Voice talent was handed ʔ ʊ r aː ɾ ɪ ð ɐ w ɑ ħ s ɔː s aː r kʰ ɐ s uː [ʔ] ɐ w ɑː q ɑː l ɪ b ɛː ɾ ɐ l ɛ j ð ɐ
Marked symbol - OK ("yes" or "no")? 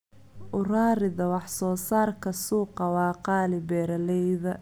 no